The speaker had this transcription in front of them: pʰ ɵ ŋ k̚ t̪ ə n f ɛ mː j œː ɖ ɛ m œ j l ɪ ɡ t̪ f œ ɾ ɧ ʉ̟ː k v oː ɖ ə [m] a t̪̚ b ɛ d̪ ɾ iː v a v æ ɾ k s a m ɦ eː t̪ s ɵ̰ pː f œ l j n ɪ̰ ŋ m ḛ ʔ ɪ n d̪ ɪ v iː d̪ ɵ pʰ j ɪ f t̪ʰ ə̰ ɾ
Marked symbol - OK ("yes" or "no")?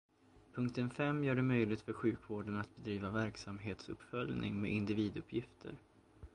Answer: no